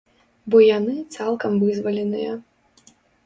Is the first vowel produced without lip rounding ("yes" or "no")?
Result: no